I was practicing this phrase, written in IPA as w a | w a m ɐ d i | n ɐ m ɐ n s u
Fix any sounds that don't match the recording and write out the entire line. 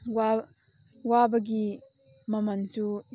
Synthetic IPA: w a | w a b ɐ ɡ i | m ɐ m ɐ n s u